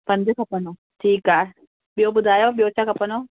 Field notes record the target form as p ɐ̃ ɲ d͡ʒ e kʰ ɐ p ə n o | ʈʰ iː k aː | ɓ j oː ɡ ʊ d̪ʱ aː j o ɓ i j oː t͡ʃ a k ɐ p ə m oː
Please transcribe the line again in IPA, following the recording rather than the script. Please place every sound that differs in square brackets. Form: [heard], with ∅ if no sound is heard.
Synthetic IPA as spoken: p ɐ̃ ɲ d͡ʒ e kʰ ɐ p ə n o | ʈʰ iː k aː | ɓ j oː [b] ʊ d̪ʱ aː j o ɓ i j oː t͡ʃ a k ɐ p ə [n] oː